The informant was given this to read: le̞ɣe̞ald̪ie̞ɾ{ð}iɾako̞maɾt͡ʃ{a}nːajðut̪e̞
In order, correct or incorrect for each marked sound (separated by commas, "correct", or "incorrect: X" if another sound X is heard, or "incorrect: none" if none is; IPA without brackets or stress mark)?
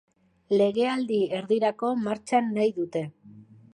correct, correct